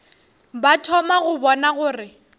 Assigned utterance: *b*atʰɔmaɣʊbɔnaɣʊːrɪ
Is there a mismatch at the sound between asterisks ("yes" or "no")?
no